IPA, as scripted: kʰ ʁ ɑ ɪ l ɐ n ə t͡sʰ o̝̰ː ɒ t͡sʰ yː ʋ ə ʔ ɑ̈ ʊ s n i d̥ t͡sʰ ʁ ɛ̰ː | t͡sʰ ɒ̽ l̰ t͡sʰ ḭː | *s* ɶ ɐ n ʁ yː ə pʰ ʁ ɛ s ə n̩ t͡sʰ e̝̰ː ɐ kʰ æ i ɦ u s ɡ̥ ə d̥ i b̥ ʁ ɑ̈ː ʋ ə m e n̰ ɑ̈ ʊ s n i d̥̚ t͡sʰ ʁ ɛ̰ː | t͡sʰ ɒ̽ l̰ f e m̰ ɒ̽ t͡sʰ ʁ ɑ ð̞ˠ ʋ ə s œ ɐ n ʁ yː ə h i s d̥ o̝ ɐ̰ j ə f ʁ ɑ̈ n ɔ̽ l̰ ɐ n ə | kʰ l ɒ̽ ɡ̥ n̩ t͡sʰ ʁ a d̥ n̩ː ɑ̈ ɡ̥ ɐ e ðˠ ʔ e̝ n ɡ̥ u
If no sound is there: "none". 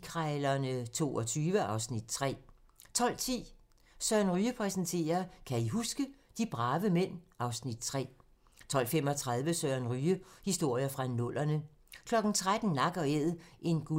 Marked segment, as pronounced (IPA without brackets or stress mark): s